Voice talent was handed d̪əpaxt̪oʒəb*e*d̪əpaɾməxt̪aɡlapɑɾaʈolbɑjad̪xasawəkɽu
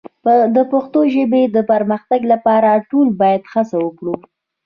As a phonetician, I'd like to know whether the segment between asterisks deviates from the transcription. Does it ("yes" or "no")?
no